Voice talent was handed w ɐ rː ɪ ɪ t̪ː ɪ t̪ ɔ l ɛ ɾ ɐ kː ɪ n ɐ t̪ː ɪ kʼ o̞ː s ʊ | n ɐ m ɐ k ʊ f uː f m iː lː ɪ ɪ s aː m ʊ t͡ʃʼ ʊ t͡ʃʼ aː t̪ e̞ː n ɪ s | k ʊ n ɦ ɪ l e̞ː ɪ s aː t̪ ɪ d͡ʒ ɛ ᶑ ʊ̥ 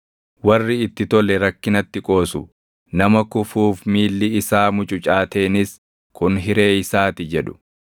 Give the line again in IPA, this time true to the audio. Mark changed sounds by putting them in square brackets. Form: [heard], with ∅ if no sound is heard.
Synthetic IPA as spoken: w ɐ rː ɪ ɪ t̪ː ɪ t̪ ɔ l ɛ ɾ ɐ kː ɪ n ɐ t̪ː ɪ kʼ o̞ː s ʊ | n ɐ m ɐ k ʊ f uː f m iː lː ɪ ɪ s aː m ʊ t͡ʃʼ ʊ t͡ʃʼ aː t̪ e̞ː n ɪ s | k ʊ n ɦ ɪ [ɾ] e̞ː ɪ s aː t̪ ɪ d͡ʒ ɛ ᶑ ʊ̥